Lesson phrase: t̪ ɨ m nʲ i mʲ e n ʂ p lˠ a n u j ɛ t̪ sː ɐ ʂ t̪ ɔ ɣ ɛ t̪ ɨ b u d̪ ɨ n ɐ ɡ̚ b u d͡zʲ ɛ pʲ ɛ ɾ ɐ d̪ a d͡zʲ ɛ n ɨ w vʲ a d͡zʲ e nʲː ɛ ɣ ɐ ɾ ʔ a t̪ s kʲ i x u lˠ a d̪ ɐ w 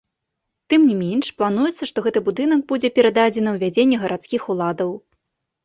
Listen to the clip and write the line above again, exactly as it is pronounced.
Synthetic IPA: t̪ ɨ m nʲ i mʲ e n ʂ p lˠ a n u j ɛ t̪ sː ɐ ʂ t̪ ɔ ɣ ɛ t̪ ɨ b u d̪ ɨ n ɐ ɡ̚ b u d͡zʲ ɛ pʲ ɛ ɾ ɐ d̪ a d͡zʲ ɛ n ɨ w vʲ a d͡zʲ e nʲː ɛ ɣ ɐ ɾ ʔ a t̪ s kʲ i x u lˠ a d̪ ɐ w